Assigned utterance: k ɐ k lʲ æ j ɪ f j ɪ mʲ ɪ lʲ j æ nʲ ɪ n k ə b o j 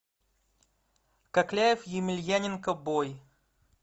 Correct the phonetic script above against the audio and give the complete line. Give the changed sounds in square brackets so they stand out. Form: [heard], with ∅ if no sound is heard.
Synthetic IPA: k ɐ k lʲ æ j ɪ f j ɪ mʲ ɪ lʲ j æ nʲ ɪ n k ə b o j